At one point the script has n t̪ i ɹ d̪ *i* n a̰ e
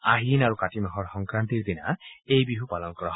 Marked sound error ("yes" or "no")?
no